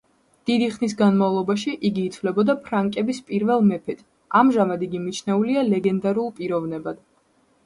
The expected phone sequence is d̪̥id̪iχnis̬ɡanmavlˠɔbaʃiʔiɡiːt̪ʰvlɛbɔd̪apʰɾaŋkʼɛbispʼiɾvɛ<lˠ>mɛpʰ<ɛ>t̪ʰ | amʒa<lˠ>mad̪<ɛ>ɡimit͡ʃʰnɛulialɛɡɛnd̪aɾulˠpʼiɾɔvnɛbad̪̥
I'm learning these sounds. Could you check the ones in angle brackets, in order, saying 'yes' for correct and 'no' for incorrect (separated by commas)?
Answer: yes, yes, no, no